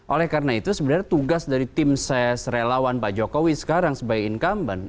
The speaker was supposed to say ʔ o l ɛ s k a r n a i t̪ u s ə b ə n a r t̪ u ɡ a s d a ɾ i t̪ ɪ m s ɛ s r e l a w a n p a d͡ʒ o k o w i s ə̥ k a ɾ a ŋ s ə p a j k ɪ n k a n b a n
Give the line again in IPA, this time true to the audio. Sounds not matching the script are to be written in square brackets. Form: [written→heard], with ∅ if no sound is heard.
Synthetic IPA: ʔ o l ɛ [s→h] k a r n a i t̪ u s ə b ə n a r t̪ u ɡ a s d a ɾ i t̪ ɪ m s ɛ s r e l a w a n p a d͡ʒ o k o w i s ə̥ k a ɾ a ŋ s ə [p→b] a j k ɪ n k a [n→m] b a n